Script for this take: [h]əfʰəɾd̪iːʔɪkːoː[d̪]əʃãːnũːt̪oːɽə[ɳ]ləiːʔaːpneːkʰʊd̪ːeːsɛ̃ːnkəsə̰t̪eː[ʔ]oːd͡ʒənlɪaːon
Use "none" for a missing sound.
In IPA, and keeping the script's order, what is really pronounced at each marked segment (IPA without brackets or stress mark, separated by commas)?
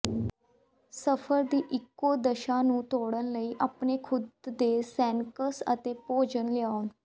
s, d̪, n, p